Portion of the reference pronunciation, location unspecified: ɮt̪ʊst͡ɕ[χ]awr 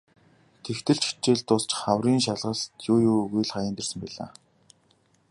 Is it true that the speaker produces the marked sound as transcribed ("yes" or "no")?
yes